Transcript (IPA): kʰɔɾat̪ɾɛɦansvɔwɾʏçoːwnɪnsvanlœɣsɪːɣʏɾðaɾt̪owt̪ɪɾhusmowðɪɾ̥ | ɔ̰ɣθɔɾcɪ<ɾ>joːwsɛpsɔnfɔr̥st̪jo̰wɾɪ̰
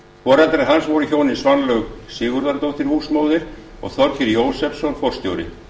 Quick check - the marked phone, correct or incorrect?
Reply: correct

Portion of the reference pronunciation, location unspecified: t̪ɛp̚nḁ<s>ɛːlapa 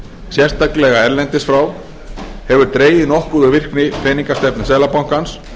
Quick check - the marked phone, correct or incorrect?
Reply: correct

